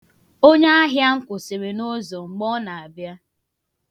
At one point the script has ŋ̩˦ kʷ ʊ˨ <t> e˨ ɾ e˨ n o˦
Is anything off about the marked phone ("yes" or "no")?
yes